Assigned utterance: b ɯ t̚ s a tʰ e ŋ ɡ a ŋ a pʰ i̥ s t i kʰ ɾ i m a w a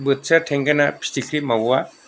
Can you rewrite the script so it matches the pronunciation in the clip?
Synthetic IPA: b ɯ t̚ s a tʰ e ŋ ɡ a n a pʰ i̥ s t i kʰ ɾ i m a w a